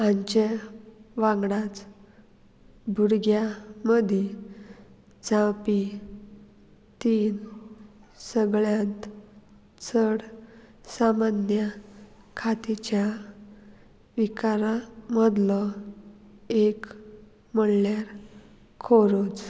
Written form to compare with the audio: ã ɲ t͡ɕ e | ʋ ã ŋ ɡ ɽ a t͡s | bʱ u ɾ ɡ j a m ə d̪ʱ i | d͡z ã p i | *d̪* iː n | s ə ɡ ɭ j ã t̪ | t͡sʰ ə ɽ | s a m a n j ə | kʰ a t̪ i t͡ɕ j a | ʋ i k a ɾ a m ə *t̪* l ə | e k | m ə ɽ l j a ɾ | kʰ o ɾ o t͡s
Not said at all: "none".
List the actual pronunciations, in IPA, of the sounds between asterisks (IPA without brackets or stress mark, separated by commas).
t̪, d̪